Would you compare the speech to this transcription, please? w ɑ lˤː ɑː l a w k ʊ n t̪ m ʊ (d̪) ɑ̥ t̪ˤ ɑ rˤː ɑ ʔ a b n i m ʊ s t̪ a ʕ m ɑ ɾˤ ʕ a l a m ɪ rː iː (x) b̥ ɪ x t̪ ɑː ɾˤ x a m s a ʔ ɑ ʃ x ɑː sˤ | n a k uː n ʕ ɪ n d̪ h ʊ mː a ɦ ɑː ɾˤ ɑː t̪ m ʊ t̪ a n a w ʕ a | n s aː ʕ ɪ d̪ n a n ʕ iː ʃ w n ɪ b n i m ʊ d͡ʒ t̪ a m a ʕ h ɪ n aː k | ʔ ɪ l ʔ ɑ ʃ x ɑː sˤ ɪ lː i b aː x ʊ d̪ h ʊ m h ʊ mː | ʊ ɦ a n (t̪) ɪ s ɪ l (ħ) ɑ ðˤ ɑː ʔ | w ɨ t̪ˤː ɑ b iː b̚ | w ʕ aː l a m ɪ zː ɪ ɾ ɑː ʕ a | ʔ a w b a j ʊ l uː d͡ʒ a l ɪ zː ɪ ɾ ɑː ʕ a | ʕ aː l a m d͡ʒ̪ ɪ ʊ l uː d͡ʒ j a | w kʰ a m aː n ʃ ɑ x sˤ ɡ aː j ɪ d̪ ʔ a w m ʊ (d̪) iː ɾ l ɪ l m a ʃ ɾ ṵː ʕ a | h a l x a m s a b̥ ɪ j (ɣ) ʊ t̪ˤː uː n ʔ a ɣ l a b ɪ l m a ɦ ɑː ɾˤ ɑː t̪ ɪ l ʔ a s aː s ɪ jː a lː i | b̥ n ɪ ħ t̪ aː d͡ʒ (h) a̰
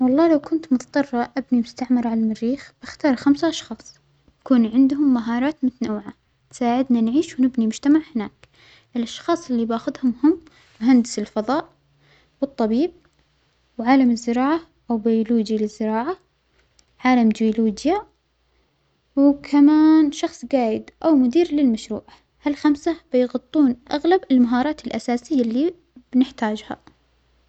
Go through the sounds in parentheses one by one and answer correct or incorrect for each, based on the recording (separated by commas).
incorrect, correct, incorrect, incorrect, correct, correct, correct